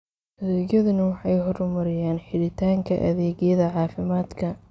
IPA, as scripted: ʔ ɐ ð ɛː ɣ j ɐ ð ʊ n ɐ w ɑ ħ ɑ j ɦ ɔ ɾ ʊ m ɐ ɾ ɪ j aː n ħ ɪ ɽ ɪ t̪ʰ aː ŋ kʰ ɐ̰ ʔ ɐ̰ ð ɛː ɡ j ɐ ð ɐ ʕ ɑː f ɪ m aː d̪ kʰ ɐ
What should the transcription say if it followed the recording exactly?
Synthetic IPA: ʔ ɐ ð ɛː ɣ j ɐ ð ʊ n ɐ w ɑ ħ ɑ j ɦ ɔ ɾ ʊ m ɐ ɾ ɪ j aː n ħ ɪ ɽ ɪ t̪ʰ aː ŋ kʰ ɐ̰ ʔ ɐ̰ ð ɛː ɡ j ɐ ð ɐ ʕ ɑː f ɪ m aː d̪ kʰ ɐ